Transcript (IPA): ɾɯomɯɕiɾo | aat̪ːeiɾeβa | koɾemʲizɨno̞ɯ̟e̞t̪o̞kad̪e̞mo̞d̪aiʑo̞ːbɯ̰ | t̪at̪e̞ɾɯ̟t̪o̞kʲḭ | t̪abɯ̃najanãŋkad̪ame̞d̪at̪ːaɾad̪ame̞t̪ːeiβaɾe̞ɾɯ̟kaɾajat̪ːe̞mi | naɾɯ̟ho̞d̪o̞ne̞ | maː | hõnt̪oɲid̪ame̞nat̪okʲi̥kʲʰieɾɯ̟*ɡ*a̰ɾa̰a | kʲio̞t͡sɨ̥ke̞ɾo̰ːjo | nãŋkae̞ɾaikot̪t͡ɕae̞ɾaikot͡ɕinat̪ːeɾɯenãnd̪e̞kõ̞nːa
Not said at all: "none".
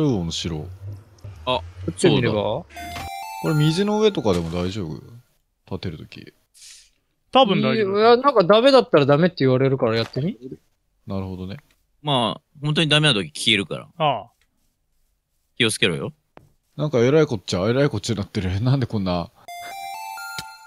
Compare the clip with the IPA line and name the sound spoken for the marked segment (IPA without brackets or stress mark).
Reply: k